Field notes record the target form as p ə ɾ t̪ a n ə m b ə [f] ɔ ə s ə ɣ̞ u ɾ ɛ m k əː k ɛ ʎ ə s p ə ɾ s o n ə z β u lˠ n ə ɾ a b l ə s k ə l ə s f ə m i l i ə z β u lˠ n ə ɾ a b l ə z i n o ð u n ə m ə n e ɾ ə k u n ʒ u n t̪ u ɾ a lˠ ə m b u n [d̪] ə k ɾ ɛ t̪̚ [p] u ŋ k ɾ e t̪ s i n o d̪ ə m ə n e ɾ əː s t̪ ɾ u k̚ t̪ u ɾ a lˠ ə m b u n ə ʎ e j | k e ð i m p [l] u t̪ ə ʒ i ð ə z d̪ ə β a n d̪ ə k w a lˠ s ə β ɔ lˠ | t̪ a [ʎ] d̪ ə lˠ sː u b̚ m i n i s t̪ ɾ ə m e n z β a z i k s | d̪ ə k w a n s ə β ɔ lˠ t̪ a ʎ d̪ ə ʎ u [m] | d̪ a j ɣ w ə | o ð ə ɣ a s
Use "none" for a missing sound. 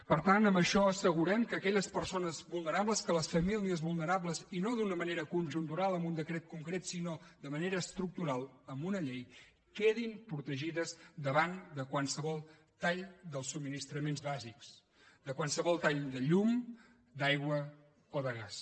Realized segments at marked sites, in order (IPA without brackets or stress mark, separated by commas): ʃ, d̪, k, ɾ, ʎ, m